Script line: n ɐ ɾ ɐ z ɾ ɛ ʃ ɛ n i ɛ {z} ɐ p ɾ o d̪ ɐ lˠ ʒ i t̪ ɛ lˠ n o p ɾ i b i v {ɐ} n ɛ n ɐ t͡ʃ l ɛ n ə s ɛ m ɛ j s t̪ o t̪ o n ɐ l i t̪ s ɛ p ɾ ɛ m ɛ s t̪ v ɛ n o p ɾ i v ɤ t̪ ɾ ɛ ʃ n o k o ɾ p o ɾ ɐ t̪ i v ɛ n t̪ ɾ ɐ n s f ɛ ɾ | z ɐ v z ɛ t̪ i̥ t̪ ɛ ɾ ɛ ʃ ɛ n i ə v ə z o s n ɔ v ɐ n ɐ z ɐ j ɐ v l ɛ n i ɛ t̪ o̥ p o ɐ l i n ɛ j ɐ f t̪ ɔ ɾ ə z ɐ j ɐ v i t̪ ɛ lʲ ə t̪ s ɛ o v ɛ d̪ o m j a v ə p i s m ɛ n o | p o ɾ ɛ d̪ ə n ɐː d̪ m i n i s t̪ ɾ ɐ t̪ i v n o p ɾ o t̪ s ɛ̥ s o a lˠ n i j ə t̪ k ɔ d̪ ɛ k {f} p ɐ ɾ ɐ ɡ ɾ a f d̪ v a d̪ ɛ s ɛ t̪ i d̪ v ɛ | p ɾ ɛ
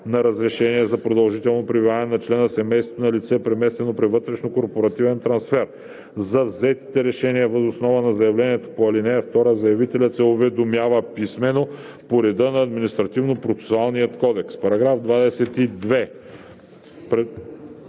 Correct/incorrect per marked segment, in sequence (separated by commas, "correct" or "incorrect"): correct, incorrect, incorrect